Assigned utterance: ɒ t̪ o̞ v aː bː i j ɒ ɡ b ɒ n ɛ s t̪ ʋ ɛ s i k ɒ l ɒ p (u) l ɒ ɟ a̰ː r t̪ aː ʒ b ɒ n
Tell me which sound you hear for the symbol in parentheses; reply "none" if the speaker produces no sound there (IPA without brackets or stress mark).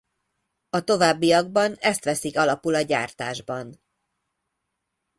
u